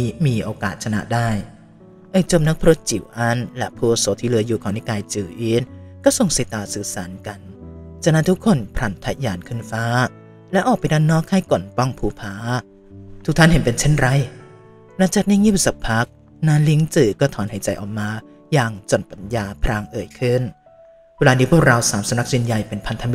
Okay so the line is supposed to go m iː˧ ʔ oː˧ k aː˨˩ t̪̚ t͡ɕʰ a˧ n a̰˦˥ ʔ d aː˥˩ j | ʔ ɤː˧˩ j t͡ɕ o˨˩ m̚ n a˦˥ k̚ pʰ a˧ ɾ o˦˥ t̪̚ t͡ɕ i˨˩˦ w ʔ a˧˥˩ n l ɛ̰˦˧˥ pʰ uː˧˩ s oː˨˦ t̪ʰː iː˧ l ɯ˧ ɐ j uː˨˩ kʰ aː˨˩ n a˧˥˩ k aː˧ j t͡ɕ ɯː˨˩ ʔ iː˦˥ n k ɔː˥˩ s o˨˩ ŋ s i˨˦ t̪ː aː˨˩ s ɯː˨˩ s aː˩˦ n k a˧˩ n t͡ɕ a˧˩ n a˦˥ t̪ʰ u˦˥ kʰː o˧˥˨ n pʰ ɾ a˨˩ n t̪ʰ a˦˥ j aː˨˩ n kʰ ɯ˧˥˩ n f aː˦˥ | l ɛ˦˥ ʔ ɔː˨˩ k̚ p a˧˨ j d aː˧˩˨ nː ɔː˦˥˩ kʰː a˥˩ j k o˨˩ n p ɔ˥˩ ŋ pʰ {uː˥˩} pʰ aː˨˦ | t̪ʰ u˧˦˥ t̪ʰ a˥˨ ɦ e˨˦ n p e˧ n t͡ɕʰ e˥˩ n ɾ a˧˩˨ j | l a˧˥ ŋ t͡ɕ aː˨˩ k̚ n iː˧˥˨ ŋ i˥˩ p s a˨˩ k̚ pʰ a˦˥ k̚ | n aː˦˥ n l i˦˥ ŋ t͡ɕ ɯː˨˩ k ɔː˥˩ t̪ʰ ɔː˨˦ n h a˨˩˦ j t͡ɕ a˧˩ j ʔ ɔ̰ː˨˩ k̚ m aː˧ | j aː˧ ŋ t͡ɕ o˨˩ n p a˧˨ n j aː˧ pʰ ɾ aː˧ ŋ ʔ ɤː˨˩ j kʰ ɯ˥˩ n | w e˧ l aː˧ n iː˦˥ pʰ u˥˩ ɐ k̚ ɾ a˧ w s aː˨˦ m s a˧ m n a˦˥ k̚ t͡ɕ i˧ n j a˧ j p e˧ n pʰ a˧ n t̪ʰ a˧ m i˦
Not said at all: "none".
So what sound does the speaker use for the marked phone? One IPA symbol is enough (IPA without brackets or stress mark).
uː˧˩